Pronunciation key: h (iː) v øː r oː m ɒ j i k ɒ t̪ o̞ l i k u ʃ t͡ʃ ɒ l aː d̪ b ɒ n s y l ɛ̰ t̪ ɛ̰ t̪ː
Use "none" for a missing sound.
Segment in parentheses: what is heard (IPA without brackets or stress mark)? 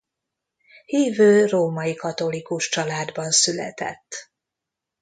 iː